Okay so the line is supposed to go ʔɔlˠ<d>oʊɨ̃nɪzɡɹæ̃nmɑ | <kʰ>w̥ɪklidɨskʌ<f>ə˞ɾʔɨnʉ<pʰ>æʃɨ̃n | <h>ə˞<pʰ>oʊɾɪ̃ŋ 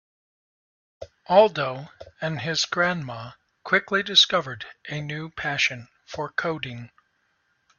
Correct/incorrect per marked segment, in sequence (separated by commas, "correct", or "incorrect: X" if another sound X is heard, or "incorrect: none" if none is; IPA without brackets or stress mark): correct, correct, incorrect: v, correct, incorrect: f, incorrect: kʰ